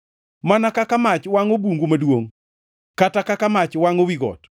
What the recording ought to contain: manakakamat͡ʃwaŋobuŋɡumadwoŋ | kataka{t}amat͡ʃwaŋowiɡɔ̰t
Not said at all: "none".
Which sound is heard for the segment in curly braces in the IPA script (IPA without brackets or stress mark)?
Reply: k